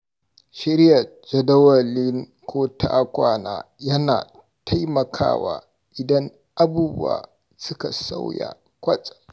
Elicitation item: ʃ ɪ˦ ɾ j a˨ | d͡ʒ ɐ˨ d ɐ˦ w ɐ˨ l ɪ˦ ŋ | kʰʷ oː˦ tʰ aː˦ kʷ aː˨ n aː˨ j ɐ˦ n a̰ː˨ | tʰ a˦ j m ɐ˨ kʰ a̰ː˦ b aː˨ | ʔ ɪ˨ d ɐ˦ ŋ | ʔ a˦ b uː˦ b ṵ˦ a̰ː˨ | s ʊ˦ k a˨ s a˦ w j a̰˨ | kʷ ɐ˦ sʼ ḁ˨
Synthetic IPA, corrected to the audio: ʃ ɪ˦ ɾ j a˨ | d͡ʒ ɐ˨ d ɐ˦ w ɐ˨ l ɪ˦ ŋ | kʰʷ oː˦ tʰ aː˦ kʷ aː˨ n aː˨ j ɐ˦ n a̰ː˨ | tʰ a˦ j m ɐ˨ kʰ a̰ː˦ w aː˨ | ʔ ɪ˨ d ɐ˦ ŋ | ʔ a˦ b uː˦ b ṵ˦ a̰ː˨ | s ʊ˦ k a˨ s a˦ w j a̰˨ | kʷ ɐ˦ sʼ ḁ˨